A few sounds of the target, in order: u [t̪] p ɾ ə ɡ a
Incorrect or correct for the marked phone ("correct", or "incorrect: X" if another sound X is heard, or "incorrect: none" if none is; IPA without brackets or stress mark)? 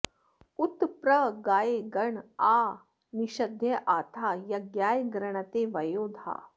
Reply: correct